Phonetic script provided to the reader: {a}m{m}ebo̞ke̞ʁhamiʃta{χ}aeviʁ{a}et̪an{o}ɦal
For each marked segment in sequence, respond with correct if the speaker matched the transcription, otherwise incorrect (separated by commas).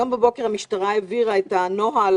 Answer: correct, incorrect, incorrect, correct, correct